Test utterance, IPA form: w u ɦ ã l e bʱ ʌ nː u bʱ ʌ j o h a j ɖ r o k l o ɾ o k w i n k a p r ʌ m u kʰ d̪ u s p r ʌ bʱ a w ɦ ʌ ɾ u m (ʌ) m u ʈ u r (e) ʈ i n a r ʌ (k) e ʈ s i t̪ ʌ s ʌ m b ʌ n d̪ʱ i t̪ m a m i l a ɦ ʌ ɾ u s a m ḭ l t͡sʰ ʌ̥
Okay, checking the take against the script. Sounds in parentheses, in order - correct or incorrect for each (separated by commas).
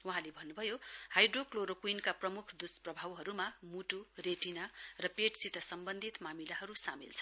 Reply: incorrect, correct, incorrect